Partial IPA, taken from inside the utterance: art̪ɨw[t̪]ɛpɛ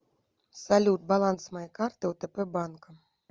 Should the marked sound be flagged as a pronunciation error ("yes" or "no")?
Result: no